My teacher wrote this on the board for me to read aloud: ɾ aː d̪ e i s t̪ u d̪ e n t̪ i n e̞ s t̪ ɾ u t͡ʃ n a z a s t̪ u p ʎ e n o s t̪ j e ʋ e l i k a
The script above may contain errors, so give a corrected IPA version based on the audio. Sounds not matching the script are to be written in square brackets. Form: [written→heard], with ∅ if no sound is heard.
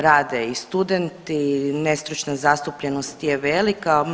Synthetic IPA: ɾ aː d̪ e i s t̪ u d̪ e n t̪ i n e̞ s t̪ ɾ u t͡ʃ n a z a s t̪ u p ʎ e n o s t̪ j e ʋ e l i k a